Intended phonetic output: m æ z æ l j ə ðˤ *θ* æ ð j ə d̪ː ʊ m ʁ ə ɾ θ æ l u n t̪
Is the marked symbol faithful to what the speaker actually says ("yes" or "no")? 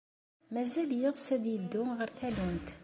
no